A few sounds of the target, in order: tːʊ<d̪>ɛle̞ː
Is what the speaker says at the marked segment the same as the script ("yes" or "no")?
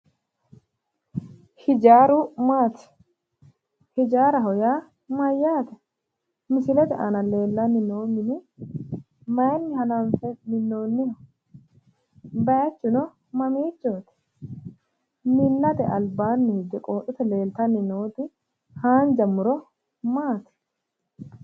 no